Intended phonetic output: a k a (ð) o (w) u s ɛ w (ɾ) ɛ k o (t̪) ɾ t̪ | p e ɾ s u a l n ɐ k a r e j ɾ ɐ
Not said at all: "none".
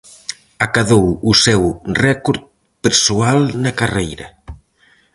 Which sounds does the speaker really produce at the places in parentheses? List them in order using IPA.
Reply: ð, w, r, none

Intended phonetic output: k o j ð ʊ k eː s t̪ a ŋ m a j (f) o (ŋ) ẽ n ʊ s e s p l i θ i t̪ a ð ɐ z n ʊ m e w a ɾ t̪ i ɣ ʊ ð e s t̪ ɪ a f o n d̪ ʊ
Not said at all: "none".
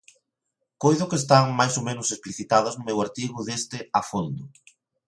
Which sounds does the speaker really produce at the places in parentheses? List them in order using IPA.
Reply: s, m

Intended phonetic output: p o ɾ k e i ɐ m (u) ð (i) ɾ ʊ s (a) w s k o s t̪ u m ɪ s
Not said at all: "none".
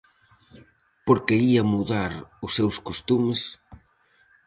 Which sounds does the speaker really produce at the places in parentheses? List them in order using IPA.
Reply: u, a, e

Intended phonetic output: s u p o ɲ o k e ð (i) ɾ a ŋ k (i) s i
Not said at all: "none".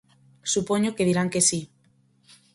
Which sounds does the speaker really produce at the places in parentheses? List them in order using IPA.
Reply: i, e

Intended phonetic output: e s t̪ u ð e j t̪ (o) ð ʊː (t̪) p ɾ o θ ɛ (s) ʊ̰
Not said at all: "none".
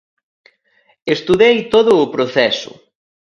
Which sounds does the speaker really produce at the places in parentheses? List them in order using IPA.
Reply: o, none, s

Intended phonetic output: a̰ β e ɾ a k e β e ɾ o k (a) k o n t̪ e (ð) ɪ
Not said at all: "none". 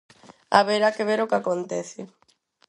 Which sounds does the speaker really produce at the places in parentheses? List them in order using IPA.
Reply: a, θ

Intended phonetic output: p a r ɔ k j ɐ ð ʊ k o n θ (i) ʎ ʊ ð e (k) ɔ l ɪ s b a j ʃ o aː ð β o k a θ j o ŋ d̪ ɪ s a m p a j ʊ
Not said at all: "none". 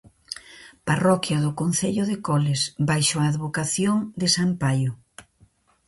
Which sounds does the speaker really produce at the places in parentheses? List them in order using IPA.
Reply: e, k

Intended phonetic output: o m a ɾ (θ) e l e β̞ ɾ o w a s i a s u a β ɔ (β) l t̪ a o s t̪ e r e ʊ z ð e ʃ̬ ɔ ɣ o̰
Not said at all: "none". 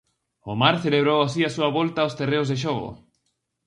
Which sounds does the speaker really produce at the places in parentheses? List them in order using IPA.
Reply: θ, none

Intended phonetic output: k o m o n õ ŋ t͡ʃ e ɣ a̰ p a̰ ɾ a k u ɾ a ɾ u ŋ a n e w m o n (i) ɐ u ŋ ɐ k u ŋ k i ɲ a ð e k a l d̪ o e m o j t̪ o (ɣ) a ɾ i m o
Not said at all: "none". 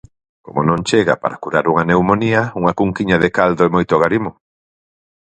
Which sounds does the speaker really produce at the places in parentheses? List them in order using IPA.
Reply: i, ɣ

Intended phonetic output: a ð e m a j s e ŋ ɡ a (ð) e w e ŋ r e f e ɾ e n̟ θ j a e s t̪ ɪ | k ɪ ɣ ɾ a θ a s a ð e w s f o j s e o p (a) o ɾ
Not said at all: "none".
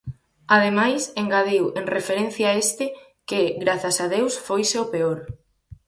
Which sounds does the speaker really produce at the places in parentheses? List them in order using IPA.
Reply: ð, e

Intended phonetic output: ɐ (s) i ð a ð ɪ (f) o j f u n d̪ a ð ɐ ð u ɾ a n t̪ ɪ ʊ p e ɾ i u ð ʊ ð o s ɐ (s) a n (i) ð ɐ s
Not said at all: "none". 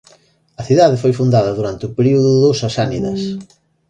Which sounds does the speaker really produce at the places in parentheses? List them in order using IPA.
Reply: θ, f, s, i

